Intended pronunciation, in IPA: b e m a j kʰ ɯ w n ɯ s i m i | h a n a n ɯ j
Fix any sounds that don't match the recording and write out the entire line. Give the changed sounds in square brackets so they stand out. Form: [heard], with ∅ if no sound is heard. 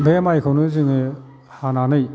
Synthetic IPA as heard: b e m a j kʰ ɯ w n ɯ [z] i [ŋ] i | h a n a n ɯ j